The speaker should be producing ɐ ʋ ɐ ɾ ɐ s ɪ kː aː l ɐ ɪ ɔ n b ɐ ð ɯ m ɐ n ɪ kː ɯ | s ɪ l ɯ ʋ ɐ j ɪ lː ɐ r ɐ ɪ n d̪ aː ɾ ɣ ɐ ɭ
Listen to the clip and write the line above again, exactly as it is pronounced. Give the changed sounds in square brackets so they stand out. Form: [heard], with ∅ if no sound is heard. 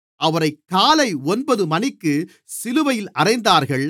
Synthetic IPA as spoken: ɐ ʋ ɐ ɾ ɐ [∅] ɪ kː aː l ɐ ɪ ɔ n b ɐ ð ɯ m ɐ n ɪ kː ɯ | s ɪ l ɯ ʋ ɐ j ɪ [l] ɐ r ɐ ɪ n d̪ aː ɾ ɣ ɐ ɭ